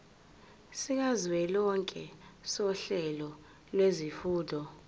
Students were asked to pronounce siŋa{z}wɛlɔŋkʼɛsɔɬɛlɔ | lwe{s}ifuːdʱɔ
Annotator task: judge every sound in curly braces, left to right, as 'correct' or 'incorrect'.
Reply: correct, incorrect

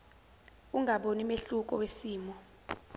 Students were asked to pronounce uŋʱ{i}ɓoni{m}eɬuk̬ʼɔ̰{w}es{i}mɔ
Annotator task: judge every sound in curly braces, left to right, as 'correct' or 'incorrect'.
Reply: incorrect, correct, correct, incorrect

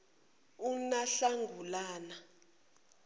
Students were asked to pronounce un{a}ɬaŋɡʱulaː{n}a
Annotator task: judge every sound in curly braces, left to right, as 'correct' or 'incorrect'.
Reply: correct, correct

